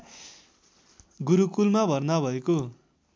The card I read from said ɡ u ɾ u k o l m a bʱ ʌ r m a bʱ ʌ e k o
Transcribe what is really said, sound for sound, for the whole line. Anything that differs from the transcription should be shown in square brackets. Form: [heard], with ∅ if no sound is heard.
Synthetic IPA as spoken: ɡ u ɾ u k [u] l m a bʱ ʌ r [n] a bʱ ʌ e k o